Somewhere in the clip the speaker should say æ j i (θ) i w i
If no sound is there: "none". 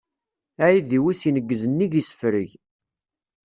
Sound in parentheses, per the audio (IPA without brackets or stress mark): ð